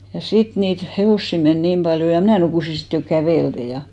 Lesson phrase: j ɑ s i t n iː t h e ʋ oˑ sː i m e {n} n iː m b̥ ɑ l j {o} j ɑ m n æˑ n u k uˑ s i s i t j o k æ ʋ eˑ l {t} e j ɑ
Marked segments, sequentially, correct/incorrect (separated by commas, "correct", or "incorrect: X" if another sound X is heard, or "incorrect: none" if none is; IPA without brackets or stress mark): correct, correct, correct